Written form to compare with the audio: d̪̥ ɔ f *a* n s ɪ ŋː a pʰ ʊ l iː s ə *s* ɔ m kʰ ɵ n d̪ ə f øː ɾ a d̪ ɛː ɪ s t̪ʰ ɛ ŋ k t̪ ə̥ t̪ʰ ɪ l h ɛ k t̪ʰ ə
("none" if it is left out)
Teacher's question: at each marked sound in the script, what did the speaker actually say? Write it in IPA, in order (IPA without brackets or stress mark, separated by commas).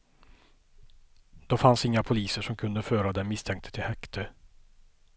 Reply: a, ʂ